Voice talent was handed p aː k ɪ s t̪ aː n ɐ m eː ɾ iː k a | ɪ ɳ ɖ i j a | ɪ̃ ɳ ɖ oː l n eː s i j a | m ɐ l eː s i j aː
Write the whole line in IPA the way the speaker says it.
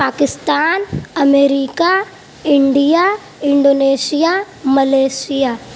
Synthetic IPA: p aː k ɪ s t̪ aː n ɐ m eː ɾ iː k a | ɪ ɳ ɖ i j a | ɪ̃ ɳ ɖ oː n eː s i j a | m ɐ l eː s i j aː